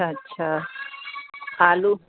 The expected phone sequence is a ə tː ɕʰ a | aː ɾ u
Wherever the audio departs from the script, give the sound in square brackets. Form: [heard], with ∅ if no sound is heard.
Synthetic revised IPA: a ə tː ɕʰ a | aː [l] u